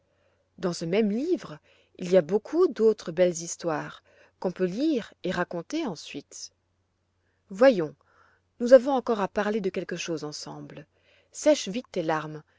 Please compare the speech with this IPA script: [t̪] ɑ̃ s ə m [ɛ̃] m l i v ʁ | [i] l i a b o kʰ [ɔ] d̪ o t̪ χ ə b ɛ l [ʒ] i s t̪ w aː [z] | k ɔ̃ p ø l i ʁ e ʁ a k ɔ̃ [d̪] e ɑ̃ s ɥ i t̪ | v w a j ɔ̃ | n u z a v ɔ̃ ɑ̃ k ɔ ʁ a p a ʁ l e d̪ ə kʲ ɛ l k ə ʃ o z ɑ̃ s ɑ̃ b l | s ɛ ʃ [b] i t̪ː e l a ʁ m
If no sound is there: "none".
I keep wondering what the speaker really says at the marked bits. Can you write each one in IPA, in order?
d̪, ɛ, i, u, z, ʁ, t̪, v

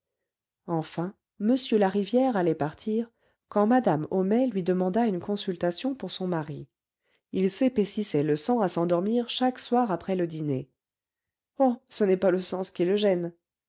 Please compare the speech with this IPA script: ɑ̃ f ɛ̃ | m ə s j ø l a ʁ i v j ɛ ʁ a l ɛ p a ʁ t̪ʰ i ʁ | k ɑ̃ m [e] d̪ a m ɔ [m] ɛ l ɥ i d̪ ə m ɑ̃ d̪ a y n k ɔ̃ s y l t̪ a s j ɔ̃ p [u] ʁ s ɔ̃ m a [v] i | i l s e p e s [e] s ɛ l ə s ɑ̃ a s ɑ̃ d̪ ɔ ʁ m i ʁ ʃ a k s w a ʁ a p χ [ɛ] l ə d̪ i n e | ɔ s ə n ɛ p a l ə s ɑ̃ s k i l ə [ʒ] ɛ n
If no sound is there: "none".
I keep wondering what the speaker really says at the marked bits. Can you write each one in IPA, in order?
a, m, u, ʁ, i, ɛ, ʒ

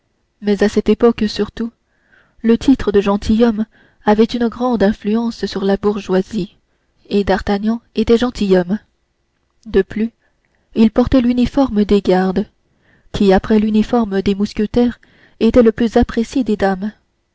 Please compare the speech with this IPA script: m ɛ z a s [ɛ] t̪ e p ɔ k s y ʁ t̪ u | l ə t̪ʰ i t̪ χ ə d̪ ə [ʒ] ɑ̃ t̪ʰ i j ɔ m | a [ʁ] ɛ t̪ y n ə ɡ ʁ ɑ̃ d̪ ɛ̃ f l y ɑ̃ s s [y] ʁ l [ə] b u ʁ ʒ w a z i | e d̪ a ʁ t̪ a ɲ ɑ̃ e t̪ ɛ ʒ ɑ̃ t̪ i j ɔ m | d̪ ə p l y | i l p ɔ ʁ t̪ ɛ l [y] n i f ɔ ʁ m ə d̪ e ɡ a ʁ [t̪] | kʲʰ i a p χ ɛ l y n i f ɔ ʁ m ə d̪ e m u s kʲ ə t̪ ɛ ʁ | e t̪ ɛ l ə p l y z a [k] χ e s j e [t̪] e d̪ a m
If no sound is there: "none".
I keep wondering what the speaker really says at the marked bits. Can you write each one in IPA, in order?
ɛ, ʒ, v, y, a, y, d̪, p, d̪

